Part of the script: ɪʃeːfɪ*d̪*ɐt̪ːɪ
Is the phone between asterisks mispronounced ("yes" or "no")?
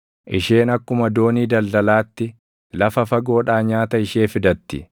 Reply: no